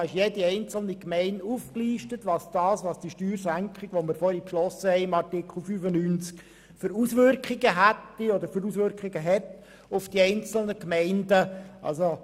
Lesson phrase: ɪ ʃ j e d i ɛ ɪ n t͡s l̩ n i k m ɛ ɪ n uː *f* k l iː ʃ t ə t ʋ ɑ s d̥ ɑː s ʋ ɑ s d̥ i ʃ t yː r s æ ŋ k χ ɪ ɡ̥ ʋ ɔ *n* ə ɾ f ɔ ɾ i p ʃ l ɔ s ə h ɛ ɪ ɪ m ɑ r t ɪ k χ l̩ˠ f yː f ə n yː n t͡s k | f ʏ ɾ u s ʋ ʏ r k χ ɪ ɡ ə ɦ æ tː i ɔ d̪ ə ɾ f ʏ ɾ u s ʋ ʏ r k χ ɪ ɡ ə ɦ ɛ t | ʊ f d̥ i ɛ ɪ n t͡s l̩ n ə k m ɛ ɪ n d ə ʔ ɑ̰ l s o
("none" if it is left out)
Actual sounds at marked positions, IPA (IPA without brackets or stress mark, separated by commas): f, m